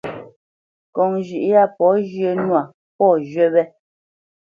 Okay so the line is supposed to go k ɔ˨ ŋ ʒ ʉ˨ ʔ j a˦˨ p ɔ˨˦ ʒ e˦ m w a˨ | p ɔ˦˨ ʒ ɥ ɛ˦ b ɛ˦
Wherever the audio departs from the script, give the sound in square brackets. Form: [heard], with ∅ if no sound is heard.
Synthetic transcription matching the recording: k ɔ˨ ŋ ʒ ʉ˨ ʔ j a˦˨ p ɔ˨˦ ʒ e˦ [n] w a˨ | p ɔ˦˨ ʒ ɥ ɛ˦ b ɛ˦

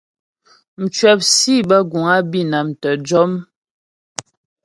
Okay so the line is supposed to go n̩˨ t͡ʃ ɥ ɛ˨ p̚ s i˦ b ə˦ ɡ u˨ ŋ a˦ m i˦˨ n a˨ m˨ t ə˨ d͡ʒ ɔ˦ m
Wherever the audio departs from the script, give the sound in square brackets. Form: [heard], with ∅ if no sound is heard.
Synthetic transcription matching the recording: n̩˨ t͡ʃ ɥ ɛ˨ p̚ s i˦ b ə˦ ɡ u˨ ŋ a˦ [b] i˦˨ n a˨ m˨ t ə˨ d͡ʒ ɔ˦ m

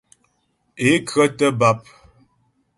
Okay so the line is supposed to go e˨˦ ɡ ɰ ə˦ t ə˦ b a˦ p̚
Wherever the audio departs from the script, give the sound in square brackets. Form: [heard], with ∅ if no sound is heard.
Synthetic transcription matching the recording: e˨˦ [k] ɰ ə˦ t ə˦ b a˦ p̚

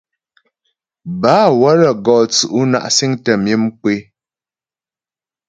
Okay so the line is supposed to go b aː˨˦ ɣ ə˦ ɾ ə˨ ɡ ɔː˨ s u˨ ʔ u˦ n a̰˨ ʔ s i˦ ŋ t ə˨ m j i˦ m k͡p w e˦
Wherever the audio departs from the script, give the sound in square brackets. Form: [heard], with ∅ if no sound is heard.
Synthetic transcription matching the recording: b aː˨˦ [w] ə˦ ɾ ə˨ ɡ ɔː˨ [t͡s] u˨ ʔ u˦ n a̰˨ ʔ s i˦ ŋ t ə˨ m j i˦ m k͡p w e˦

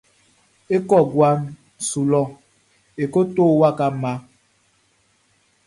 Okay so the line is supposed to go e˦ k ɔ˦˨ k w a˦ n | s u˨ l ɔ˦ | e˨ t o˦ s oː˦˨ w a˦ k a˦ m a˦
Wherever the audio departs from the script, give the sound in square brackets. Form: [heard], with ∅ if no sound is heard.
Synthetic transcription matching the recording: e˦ k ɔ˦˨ [ɡ] w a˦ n | s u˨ l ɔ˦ | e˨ [k] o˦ [t] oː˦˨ w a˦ k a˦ m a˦

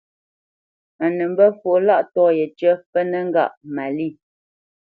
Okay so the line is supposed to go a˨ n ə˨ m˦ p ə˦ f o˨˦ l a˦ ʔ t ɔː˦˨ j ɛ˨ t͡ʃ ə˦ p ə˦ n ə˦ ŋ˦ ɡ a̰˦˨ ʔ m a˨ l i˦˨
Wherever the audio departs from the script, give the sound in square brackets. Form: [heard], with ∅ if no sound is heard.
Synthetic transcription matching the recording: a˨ n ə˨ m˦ [b] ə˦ f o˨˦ l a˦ ʔ t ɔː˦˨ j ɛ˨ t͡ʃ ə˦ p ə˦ n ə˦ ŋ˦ ɡ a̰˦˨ ʔ m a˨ l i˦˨

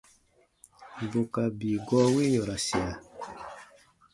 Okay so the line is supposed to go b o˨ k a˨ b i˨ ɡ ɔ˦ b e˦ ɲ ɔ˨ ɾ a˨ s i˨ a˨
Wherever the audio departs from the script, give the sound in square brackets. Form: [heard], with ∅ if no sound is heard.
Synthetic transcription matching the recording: b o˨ k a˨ b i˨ ɡ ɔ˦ [w] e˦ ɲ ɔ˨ ɾ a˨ s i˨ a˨

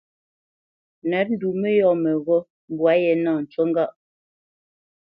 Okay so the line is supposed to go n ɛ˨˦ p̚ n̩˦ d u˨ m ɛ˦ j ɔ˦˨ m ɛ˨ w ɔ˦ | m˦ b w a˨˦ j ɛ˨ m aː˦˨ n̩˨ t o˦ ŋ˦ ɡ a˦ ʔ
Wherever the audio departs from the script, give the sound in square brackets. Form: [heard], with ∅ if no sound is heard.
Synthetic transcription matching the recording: n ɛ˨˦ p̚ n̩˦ d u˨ m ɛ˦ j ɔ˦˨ m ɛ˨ [ɣ] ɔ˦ | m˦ b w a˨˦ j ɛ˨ [n] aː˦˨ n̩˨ [t͡ʃ] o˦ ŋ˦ ɡ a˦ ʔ

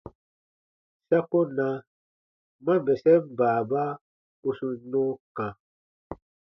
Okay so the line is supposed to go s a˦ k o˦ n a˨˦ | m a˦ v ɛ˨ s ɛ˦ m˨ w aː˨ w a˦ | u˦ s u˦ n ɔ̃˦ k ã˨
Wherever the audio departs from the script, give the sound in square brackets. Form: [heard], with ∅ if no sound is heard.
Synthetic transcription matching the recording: s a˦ k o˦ n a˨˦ | m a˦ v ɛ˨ s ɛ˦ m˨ [b] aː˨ [b] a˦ | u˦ s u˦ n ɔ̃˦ k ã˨

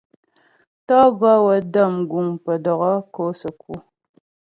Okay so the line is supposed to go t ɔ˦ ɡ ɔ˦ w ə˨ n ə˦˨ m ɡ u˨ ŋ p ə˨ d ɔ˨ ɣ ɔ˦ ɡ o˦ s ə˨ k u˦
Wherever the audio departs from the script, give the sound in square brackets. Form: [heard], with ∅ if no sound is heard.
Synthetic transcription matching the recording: t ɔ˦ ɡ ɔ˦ w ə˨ [d] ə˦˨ m ɡ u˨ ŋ p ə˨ d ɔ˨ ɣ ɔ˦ [k] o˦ s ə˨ k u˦

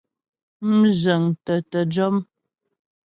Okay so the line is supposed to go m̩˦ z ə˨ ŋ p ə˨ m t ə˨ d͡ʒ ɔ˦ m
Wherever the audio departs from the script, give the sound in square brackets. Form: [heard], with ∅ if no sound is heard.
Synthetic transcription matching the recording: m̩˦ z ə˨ ŋ [t] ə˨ [∅] t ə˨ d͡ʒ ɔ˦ m

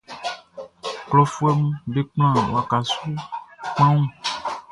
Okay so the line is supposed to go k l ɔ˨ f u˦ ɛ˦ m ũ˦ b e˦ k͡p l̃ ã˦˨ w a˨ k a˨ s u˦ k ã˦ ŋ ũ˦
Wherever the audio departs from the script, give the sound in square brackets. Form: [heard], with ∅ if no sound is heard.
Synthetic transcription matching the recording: k l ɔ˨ f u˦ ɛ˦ m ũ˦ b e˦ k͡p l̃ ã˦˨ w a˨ k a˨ s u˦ [k͡p] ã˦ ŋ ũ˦

